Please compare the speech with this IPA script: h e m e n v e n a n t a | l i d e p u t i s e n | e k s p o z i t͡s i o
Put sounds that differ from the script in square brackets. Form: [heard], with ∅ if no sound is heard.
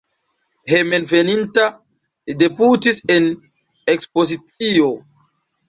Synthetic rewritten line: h e m e n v e n [i] n t a | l i d e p u t i s e n | e k s p o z i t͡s i o